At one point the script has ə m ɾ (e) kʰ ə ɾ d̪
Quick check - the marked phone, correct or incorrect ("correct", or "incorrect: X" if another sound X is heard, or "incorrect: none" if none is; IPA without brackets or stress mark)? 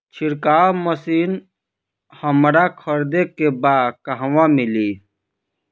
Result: incorrect: a